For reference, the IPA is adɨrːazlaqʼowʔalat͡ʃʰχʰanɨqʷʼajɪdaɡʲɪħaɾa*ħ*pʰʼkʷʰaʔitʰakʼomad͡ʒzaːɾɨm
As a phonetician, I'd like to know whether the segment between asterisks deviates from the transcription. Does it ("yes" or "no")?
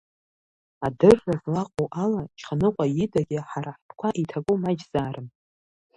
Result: no